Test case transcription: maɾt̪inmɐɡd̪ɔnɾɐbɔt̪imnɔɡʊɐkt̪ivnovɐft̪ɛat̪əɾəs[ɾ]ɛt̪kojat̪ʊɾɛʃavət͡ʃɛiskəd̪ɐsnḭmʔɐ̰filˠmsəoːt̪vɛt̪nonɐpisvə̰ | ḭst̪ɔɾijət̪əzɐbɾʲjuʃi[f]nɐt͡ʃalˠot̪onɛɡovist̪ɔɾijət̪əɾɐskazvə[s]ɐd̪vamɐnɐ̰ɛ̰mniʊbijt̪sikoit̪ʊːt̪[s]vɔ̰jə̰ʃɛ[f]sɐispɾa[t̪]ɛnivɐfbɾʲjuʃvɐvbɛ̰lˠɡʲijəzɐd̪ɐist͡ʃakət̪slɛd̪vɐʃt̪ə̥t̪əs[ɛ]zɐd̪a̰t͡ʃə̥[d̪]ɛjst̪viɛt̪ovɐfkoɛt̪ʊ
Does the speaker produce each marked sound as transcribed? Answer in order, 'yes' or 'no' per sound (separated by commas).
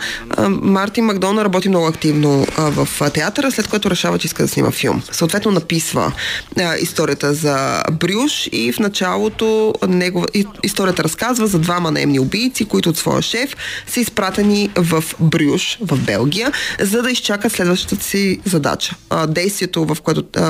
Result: no, yes, no, yes, yes, yes, no, yes